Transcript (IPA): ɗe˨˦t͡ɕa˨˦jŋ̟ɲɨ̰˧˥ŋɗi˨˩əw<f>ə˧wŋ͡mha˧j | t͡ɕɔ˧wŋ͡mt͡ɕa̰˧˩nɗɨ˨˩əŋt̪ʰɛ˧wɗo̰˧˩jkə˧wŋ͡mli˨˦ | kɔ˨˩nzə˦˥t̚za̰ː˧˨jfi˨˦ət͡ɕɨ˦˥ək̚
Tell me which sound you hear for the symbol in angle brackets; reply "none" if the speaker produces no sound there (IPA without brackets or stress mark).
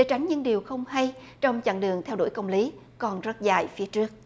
x